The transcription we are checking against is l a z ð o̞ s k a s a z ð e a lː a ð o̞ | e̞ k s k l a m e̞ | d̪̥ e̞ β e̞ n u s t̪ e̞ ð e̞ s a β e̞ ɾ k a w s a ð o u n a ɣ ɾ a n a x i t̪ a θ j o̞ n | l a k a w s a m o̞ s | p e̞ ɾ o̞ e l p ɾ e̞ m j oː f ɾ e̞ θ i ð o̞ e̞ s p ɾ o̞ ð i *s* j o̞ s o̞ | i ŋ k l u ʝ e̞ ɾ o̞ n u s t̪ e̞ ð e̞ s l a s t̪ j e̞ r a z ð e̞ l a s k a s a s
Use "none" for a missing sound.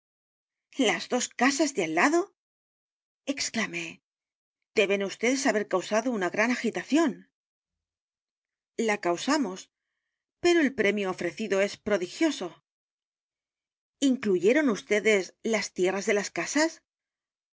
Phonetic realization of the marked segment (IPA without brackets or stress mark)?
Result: x